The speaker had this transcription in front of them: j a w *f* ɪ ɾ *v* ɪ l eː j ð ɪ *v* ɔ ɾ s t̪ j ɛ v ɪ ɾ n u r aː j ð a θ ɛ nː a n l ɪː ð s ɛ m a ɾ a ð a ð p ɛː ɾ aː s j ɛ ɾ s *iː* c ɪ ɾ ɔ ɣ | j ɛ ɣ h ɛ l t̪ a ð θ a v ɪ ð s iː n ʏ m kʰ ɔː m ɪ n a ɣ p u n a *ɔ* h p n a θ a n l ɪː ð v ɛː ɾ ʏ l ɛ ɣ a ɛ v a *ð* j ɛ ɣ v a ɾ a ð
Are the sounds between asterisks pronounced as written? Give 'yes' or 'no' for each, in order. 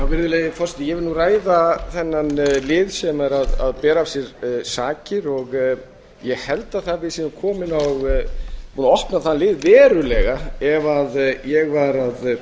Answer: no, no, no, no, yes, yes

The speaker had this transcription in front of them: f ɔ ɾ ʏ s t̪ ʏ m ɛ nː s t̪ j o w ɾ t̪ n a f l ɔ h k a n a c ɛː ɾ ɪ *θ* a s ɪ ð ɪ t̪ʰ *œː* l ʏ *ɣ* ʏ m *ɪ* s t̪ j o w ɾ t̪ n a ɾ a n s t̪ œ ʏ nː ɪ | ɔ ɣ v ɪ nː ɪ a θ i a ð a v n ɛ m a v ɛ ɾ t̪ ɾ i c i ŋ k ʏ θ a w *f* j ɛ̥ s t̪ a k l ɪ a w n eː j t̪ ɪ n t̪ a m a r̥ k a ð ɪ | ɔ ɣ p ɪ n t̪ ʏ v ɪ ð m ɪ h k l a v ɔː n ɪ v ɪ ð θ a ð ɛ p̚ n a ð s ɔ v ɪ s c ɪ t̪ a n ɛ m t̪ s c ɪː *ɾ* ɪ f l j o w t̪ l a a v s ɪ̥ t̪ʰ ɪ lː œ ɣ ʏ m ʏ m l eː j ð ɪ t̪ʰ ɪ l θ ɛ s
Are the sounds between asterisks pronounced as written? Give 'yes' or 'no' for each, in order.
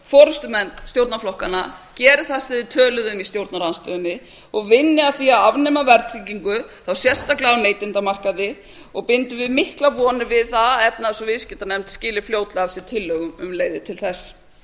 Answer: yes, yes, no, no, no, no

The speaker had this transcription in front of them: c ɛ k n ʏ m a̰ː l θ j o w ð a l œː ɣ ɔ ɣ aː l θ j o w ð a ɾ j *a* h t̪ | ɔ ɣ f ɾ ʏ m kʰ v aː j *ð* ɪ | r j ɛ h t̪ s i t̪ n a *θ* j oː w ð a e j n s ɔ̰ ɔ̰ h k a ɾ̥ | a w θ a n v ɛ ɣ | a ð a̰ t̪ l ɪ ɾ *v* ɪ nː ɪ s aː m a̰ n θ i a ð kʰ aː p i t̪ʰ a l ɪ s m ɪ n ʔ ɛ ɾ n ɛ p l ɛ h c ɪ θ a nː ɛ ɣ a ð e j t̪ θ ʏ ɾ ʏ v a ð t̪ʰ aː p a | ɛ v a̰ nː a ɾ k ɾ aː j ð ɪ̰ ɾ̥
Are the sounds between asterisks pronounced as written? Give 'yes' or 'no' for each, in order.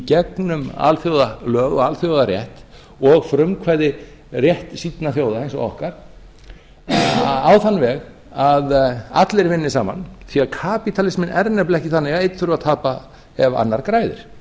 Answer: no, yes, yes, yes

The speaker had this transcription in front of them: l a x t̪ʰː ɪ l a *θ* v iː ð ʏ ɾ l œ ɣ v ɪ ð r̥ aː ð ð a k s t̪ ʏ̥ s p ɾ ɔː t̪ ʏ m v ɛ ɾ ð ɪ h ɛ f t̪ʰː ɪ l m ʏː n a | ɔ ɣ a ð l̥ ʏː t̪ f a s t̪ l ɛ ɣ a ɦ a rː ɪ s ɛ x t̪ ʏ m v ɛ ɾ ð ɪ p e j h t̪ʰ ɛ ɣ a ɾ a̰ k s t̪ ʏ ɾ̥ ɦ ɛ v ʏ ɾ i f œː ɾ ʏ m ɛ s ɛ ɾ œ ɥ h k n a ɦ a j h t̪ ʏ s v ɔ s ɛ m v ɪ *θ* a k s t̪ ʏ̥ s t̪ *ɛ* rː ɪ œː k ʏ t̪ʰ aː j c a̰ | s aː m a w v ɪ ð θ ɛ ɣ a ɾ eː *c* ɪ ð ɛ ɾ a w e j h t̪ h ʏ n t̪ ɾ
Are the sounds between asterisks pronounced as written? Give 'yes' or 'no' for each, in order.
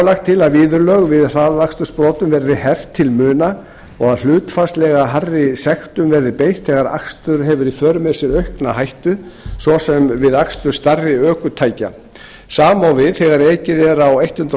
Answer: no, no, no, yes

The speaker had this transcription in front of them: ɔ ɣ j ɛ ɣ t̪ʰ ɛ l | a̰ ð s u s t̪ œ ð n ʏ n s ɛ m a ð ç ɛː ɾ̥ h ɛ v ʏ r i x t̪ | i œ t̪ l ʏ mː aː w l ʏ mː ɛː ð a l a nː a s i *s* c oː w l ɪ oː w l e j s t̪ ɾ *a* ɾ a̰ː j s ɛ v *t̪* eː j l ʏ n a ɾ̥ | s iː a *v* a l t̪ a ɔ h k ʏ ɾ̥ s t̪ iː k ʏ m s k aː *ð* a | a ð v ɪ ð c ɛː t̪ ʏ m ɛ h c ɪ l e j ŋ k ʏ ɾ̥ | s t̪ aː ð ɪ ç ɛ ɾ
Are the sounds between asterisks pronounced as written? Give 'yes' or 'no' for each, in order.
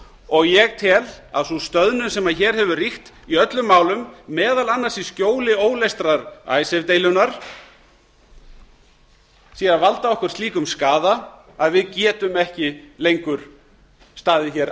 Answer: yes, yes, yes, yes, yes

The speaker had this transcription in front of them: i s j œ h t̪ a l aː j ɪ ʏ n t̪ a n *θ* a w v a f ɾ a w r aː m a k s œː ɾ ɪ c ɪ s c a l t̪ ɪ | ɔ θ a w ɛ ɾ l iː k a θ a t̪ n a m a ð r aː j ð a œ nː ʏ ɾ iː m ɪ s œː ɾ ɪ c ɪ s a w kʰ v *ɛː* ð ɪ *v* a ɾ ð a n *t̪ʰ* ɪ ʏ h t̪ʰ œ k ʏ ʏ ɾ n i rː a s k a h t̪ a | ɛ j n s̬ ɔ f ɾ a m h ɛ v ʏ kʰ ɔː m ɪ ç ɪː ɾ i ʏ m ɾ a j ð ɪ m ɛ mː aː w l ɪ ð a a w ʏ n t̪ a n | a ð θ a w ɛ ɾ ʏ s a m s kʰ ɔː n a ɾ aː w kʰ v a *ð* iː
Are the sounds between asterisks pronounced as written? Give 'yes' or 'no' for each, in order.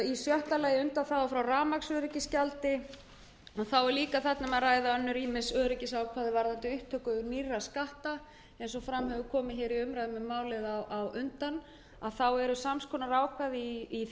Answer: yes, no, yes, no, yes

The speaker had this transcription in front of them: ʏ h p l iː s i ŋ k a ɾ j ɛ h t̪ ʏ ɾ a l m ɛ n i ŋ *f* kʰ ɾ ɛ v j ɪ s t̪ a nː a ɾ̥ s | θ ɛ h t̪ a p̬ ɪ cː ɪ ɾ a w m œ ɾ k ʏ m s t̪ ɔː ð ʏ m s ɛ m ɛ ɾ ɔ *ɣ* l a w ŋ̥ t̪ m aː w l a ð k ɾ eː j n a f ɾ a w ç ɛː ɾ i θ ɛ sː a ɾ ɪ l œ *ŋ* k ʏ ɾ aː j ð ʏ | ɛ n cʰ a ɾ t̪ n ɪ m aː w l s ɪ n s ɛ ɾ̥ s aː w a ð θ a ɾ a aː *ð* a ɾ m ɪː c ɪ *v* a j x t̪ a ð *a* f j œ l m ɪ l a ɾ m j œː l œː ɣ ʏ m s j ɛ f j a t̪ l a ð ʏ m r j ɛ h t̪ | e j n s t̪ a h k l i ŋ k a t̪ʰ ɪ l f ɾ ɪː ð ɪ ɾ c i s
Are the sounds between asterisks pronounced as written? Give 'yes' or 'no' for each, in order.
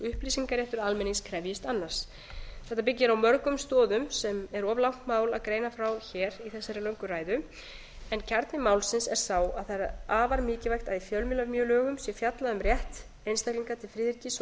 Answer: no, no, yes, no, yes, no

